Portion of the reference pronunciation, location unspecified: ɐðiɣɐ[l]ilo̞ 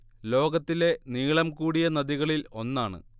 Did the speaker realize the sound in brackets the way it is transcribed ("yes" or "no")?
no